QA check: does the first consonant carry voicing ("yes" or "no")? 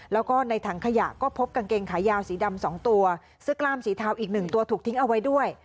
yes